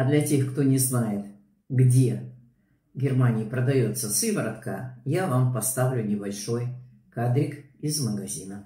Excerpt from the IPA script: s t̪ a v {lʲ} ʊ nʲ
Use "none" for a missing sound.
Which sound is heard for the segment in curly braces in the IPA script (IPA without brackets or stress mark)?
lʲ